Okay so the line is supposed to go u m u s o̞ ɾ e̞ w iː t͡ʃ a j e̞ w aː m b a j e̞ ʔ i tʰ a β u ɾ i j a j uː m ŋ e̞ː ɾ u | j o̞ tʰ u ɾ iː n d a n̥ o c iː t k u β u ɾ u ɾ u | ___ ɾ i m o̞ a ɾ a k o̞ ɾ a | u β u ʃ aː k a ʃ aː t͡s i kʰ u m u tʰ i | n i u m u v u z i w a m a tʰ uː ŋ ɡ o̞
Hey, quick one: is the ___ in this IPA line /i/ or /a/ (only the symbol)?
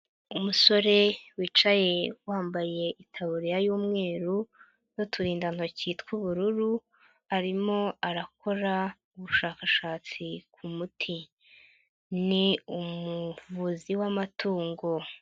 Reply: a